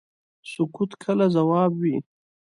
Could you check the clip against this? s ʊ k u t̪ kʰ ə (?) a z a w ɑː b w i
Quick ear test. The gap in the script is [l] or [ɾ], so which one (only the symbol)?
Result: l